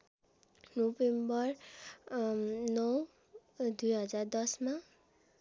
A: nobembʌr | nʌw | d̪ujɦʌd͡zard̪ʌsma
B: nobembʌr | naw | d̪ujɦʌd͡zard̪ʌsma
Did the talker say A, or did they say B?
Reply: A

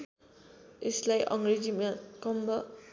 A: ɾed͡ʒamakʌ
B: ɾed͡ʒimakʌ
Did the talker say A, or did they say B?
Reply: B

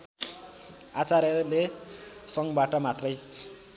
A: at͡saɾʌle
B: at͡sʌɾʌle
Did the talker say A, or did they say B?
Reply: A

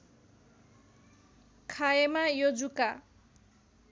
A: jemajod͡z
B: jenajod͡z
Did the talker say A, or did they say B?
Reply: A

